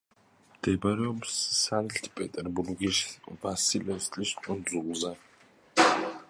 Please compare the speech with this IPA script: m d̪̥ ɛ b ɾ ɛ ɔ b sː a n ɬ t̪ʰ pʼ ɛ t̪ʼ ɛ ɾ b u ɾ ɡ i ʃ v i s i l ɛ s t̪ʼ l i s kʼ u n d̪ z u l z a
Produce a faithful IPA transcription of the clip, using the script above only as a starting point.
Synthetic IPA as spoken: m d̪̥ ɛ b ɾ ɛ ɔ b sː a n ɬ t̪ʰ pʼ ɛ t̪ʼ ɛ ɾ b u ɾ ɡ i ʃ v a s i l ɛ s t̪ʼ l i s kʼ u n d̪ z u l z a